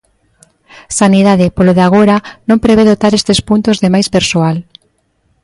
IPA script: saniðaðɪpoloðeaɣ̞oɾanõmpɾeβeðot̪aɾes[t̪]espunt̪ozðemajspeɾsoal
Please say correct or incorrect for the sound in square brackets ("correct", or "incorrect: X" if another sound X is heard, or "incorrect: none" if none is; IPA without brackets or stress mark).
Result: correct